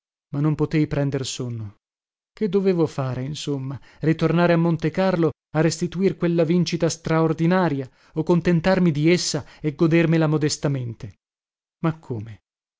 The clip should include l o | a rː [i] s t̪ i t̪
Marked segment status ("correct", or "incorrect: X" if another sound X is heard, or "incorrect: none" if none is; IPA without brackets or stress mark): incorrect: e